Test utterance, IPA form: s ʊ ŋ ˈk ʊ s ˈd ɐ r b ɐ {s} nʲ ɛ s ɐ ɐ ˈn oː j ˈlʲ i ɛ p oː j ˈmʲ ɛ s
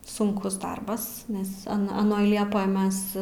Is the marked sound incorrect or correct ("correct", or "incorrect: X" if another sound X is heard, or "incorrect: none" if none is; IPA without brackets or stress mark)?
correct